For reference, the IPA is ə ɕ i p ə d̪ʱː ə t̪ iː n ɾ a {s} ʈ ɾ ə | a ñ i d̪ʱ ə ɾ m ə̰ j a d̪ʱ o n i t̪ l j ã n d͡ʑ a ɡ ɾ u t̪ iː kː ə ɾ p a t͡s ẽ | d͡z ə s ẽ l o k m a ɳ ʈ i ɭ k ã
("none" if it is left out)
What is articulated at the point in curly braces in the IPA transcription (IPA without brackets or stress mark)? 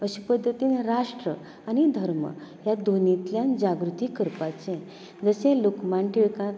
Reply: ʂ